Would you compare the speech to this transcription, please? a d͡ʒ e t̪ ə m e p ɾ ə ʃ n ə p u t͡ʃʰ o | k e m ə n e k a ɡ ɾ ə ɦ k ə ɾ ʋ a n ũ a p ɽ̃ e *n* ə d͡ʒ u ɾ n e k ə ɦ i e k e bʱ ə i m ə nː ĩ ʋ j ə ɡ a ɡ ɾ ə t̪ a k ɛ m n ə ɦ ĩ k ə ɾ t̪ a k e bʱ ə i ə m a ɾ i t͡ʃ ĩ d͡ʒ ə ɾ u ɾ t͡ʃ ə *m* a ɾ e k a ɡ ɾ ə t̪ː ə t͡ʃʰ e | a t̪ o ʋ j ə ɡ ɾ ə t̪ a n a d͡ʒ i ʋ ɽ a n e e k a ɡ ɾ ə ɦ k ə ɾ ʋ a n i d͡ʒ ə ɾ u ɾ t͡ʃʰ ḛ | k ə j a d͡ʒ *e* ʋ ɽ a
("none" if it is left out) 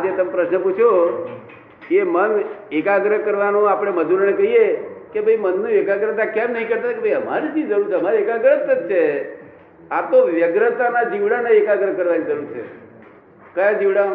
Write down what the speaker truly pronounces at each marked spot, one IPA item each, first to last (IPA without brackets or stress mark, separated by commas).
m, m, i